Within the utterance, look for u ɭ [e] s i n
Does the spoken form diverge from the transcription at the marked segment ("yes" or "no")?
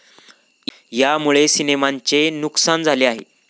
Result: no